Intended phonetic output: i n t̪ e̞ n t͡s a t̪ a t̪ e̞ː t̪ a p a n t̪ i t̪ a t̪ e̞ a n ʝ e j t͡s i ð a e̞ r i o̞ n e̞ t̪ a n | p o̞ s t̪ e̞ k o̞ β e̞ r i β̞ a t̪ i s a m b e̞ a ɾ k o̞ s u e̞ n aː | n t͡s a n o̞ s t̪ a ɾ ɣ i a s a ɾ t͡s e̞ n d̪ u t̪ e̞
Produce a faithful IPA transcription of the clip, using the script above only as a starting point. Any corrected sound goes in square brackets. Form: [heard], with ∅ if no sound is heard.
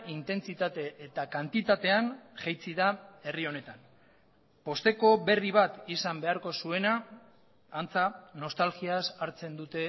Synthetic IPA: i n t̪ e̞ n t͡s [i] t̪ a t̪ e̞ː t̪ a [k] a n t̪ i t̪ a t̪ e̞ a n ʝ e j t͡s i ð a e̞ r i o̞ n e̞ t̪ a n | p o̞ s t̪ e̞ k o̞ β e̞ r i β̞ a t̪ i s a m b e̞ a ɾ k o̞ s u e̞ n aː | n t͡s a n o̞ s t̪ a [l] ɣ i a s a ɾ t͡s e̞ n d̪ u t̪ e̞